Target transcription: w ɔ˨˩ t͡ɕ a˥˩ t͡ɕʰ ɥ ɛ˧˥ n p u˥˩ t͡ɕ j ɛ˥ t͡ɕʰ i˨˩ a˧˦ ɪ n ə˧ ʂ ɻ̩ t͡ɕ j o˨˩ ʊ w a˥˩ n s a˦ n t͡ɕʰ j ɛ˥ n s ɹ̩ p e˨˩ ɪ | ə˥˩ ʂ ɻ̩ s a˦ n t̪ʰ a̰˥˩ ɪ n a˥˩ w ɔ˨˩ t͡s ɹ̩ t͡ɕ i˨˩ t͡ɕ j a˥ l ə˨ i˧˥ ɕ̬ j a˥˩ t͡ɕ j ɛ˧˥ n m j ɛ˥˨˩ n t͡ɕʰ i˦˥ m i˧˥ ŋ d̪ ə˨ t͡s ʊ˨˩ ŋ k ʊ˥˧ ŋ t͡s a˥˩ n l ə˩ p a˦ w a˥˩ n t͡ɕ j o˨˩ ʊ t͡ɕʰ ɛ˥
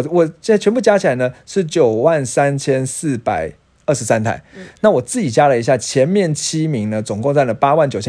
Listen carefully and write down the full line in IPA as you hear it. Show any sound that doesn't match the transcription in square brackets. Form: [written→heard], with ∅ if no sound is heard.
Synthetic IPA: w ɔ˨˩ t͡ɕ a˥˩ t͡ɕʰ ɥ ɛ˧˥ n p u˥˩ t͡ɕ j [ɛ˥→a˥] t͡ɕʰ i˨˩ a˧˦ ɪ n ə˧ ʂ ɻ̩ t͡ɕ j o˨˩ ʊ w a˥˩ n s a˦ n t͡ɕʰ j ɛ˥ n s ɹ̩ p [e˨˩→a˨˩] ɪ | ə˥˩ ʂ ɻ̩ s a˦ n t̪ʰ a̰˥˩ ɪ n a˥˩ w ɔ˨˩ t͡s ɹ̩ t͡ɕ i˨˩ t͡ɕ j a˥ l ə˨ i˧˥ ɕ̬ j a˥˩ [t͡ɕ→t͡ɕʰ] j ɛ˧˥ n m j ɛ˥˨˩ n t͡ɕʰ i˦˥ m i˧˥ ŋ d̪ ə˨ t͡s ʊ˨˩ ŋ k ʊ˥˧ ŋ t͡s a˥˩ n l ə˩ p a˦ w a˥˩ n t͡ɕ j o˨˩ ʊ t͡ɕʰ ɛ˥